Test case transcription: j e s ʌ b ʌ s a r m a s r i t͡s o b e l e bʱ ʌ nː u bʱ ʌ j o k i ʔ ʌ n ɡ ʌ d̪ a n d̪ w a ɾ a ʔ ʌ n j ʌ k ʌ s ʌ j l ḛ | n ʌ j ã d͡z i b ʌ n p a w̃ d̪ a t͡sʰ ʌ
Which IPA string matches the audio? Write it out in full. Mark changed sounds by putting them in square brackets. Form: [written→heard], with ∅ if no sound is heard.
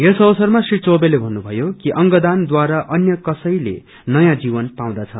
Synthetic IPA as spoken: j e s ʌ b ʌ s [a→ʌ] r m a s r i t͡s o b e l e bʱ ʌ nː u bʱ ʌ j o k i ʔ ʌ [n→ŋ] ɡ ʌ d̪ a n d̪ w a ɾ a ʔ ʌ n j ʌ k ʌ s ʌ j l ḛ | n ʌ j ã d͡z i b ʌ n p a w̃ d̪ a t͡sʰ ʌ

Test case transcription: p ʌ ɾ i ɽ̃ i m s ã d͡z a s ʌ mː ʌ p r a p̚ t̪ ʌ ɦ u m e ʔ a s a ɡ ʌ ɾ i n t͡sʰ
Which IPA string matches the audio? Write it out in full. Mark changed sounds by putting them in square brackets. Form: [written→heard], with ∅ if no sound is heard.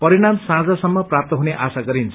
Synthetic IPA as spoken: p ʌ ɾ i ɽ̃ [i→a] m s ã d͡z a s ʌ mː ʌ p r a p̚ t̪ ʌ ɦ u [m→n] e ʔ a s a ɡ ʌ ɾ i n t͡sʰ

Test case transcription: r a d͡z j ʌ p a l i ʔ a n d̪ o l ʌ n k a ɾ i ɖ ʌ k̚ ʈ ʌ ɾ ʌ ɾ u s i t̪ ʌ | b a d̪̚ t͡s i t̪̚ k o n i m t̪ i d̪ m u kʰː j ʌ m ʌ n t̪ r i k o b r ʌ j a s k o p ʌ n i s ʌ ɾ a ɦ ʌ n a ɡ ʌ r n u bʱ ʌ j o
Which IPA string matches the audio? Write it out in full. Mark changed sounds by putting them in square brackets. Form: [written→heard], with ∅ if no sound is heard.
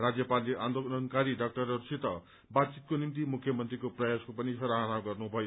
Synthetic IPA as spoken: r a d͡z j ʌ p a l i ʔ a n d̪ o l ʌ n k a ɾ i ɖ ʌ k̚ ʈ ʌ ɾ ʌ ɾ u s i t̪ ʌ | b a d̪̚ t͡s i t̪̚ k o n i m t̪ i [d̪→∅] m u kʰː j ʌ m ʌ n t̪ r i k o [b→p] r ʌ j a s k o p ʌ n i s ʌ ɾ a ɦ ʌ n a ɡ ʌ r n u bʱ ʌ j o

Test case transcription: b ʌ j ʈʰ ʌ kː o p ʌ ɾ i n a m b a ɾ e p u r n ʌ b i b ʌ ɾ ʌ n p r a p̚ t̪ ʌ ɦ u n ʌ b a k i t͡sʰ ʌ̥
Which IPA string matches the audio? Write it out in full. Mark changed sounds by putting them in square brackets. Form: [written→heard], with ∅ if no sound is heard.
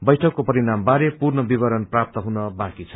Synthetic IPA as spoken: b ʌ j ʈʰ ʌ kː o p ʌ ɾ i n a m b a ɾ e p u r n ʌ b i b ʌ ɾ ʌ n p r a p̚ t̪ ʌ ɦ u n ʌ b a k i t͡sʰ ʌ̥

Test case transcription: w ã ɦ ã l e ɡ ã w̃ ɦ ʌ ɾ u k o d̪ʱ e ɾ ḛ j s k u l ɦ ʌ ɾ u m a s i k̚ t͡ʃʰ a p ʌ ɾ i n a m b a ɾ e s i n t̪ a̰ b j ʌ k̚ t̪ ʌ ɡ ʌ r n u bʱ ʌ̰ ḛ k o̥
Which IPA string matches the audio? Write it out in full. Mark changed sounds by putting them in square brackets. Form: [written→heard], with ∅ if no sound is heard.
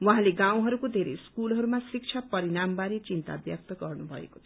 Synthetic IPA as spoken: w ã ɦ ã l e ɡ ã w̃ ɦ ʌ ɾ u k o d̪ʱ e ɾ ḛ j s k u l ɦ ʌ ɾ u m a s i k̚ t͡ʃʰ a p ʌ ɾ i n a m b a ɾ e [s→t͡s] i n t̪ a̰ b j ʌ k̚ t̪ ʌ ɡ ʌ r n u bʱ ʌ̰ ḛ k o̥

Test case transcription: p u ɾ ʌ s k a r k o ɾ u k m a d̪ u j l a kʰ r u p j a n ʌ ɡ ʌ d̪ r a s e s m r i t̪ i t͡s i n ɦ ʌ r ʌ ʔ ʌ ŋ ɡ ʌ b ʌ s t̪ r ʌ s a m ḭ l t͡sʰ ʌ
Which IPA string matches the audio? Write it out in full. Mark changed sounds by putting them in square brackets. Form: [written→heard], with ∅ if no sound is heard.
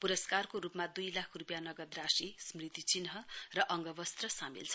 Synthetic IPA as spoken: p u ɾ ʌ s k a r k o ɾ u [k→p] m a d̪ u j l a kʰ r u p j a n ʌ ɡ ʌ d̪ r a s [e→i] s m r i t̪ i t͡s i n ɦ ʌ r ʌ ʔ ʌ ŋ ɡ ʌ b ʌ s t̪ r ʌ s a m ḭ l t͡sʰ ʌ

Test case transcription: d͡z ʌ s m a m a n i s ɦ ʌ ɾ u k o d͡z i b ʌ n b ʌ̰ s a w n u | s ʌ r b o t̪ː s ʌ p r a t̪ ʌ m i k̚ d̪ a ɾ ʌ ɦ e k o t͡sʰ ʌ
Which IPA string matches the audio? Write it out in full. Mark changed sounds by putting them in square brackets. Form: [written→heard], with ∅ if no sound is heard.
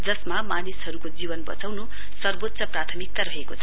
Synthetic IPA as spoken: d͡z ʌ s m a m a n i s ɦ ʌ ɾ u k o d͡z i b ʌ n b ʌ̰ [s→t͡s] a w n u | s ʌ r b o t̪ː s ʌ p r a [t̪→t̪ʰ] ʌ m i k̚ [d̪→t̪] a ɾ ʌ ɦ e k o t͡sʰ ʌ

